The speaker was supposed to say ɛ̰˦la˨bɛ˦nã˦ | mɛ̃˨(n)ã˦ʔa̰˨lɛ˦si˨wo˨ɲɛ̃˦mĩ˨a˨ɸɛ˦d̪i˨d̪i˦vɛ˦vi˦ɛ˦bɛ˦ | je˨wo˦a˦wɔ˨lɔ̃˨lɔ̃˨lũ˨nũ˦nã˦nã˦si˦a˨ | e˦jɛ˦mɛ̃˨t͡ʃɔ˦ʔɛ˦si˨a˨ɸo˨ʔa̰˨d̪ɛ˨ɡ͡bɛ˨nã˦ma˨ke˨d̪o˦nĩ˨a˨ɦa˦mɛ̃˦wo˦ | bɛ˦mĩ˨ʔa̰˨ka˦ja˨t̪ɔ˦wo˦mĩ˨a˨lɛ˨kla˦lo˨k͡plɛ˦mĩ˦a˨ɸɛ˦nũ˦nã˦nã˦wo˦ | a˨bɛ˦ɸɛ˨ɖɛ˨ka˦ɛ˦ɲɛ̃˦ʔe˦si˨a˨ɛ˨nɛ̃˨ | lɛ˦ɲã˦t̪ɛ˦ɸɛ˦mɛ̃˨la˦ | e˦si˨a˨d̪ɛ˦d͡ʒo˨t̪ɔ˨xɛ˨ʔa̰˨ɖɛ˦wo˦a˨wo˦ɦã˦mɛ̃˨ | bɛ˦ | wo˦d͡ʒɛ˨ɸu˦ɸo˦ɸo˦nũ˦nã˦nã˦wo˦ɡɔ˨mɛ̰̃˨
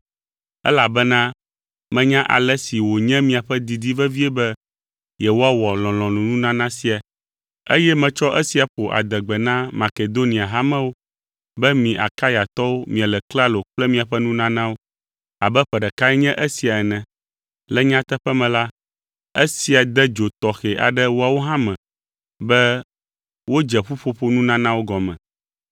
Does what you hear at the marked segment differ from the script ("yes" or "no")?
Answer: yes